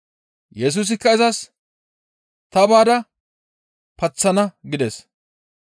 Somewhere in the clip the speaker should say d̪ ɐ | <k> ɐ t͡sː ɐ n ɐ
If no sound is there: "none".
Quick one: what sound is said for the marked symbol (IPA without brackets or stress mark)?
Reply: p